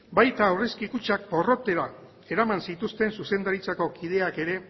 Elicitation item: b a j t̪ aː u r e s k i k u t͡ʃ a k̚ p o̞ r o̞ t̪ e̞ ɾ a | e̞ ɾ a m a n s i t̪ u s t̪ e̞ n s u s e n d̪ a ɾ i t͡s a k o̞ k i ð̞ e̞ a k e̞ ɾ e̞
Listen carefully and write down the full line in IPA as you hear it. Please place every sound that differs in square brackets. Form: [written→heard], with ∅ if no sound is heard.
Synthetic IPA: b a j t̪ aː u r e s k i k u t͡ʃ a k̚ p o̞ r o̞ t̪ e̞ ɾ a | e̞ ɾ a m a n s i t̪ u s t̪ e̞ n s u s e n d̪ a ɾ i t͡s a k o̞ k i ð̞ e̞ a k e̞ ɾ e̞